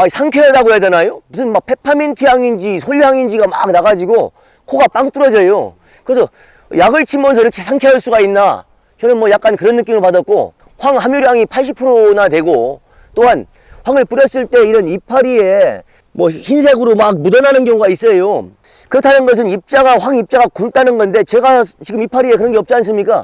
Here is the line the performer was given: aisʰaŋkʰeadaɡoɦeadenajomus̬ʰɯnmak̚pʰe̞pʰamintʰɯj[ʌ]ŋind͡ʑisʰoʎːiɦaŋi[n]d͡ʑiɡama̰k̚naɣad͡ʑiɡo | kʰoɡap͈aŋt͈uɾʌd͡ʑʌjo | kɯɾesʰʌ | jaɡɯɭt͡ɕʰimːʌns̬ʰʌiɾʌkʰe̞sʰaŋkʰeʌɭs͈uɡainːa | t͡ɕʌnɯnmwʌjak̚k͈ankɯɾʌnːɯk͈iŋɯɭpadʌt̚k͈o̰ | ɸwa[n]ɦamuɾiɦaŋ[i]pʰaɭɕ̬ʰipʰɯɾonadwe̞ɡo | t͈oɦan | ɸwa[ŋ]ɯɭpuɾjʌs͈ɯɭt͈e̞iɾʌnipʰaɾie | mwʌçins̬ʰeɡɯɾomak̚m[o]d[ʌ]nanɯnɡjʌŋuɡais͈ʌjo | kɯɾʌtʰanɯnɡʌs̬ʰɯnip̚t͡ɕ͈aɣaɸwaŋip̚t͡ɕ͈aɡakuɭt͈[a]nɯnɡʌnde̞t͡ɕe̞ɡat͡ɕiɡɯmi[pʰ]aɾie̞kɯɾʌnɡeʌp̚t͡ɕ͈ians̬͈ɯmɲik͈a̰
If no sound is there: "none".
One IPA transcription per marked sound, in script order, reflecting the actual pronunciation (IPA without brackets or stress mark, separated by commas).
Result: a, n, ŋ, i, ŋ, u, ʌ, a, pʰ